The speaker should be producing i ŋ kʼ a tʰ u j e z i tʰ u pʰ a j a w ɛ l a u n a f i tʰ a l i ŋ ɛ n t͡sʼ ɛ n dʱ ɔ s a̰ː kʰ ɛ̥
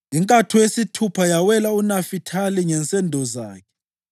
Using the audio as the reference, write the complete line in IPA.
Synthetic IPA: i ŋ kʼ a tʰ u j e s i tʰ u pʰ a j a w ɛ l a u n a f i tʰ a l i ŋ ɛ n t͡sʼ ɛ n dʱ ɔ z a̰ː kʰ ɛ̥

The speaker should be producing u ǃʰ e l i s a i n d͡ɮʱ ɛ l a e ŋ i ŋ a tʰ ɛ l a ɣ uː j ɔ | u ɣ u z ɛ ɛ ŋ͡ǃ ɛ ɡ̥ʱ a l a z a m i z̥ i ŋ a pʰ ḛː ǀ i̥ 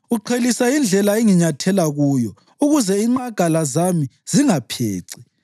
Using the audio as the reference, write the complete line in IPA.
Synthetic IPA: u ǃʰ e l i s a i n d͡ɮʱ ɛ l a e ŋ i ɲ a tʰ ɛ l a ɣ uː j ɔ | u ɣ u z ɛ i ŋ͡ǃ a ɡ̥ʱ a l a z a m i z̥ i ŋ a pʰ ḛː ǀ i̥

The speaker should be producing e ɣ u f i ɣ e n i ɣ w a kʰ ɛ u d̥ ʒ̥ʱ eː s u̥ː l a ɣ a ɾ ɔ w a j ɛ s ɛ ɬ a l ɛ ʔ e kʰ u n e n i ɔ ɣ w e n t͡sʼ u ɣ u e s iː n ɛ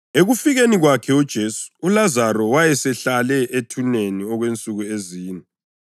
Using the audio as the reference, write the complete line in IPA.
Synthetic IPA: e ɣ u f i ɣ e n i ɣ w a kʰ ɛ u d̥ ʒ̥ʱ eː s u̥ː l a z a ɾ ɔ w a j ɛ s ɛ ɬ a l ɛ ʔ e tʰ u n e n i ɔ ɣ w e n t͡sʼ u ɣ u e z iː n ɛ

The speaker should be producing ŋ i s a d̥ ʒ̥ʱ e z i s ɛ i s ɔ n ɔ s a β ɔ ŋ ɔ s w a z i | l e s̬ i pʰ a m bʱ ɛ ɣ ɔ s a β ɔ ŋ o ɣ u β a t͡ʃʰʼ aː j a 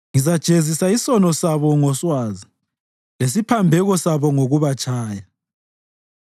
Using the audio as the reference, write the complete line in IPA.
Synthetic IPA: ŋ i z a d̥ ʒ̥ʱ e z i s a i s ɔ n ɔ s a β ɔ ŋ ɔ s w a z i | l e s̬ i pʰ a m bʱ ɛ ɣ ɔ s a β ɔ ŋ o ɣ u β a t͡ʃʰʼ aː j a

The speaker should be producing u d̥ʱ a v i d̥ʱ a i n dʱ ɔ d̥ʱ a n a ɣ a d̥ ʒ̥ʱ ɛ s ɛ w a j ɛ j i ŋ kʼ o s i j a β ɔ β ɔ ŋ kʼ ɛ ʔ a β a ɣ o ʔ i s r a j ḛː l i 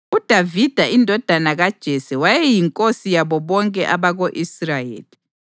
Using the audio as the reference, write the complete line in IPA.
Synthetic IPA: u d̥ʱ a v i d̥ʱ a i n dʱ ɔ d̥ʱ a n a ɣ a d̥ ʒ̥ʱ ɛ s ɛ w a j ɛ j i ŋ kʼ o s i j a β ɔ β ɔ ŋ kʼ ɛ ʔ a β a ɣ o ʔ i s r a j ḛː l i

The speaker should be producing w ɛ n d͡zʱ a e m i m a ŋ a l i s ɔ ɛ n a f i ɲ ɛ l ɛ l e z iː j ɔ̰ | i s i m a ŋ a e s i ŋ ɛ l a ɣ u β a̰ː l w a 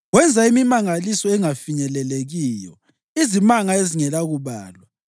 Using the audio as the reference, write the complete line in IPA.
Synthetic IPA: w ɛ n d͡zʱ a i m i m a ŋ a l i s ɔ ɛ ŋ a f i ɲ ɛ l ɛ l e ɣ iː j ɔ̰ | i z i m a ŋ a e z i ŋ ɛ l a ɣ u β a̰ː l w a

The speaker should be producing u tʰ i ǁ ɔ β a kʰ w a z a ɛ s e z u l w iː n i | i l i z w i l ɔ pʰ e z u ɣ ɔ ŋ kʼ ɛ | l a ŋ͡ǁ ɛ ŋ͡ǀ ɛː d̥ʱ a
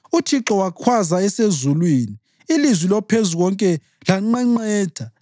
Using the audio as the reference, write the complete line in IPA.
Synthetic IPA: u tʰ i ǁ ɔ w a kʰ w a z a ɛ s e z u l w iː n i | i l i z w i l ɔ pʰ e z u ɣ ɔ ŋ kʼ ɛ | l a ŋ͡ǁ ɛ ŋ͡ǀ ɛː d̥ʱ a

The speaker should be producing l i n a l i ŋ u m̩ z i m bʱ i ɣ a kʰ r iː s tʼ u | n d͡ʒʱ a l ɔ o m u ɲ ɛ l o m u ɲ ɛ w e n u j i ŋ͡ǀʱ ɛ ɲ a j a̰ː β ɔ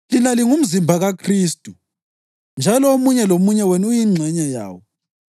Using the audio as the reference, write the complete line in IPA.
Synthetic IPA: l i n a l i ŋ u m̩ z i m bʱ a ɣ a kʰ r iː s tʼ u | n d͡ʒʱ a l ɔ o m u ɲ ɛ l o m u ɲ ɛ w ɛ n u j i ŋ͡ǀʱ ɛ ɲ a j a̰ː w ɔ

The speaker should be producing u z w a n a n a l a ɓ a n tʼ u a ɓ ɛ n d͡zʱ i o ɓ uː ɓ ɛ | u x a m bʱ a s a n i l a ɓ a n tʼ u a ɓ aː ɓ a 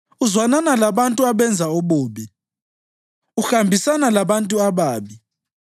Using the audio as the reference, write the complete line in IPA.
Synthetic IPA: u z w a n a n a l a ɓ a n tʼ u a ɓ ɛ n d͡zʱ a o ɓ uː ɓ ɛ | u x a m bʱ i s a n a l a ɓ a n tʼ u a ɓ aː ɓ i

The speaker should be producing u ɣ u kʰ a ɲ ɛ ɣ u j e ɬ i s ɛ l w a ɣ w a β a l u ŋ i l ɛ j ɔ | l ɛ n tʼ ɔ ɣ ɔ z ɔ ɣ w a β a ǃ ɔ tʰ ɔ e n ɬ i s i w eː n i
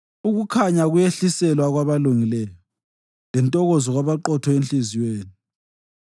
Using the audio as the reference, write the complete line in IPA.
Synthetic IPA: u ɣ u kʰ a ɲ a ɣ u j e ɬ i s ɛ l w a ɣ w a β a l u ŋ i l ɛ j ɔ | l ɛ n tʼ ɔ ɣ ɔ z ɔ ɣ w a β a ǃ ɔ tʰ ɔ e n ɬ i z i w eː n i

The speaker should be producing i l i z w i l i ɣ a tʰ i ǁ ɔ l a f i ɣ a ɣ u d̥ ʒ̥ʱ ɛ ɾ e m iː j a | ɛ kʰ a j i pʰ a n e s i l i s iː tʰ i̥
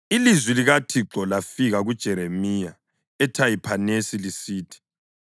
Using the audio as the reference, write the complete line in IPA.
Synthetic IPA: i l i z w i l i ɣ a tʰ i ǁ ɔ l a f i ɣ a ɣ u d̥ ʒ̥ʱ ɛ ɾ e m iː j a | ɛ tʰ a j i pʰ a n e s i l i s iː tʰ i̥

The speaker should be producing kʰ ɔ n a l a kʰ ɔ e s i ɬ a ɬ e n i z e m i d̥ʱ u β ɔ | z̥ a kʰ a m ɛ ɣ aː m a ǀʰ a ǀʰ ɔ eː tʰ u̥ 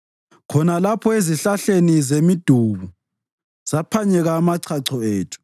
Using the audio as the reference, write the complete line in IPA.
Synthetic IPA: kʰ ɔ n a l a pʰ ɔ e z i ɬ a ɬ e n i z e m i d̥ʱ u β u | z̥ a pʰ a ɲ ɛ ɣ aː m a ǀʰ a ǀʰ ɔ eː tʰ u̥

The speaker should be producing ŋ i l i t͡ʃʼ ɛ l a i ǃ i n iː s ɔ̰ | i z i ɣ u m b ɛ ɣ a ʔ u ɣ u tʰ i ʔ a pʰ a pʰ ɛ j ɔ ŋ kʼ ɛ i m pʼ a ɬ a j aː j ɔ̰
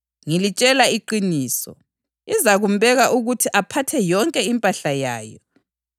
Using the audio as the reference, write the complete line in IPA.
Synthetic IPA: ŋ i l i t͡ʃʼ ɛ l a i ǃ i n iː s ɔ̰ | i z a ɣ u m b ɛ ɣ a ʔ u ɣ u tʰ i ʔ a pʰ a tʰ ɛ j ɔ ŋ kʼ ɛ i m pʼ a ɬ a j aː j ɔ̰

